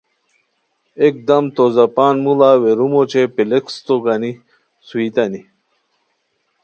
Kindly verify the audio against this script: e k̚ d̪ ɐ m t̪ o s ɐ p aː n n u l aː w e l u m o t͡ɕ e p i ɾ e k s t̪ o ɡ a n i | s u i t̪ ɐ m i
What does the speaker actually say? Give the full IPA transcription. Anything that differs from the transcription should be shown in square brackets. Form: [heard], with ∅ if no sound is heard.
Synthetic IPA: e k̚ d̪ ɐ m t̪ o [z] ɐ p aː n [m] u l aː w e [ɾ] u m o t͡ɕ e p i [l] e k s t̪ o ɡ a n i | s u i t̪ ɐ [n] i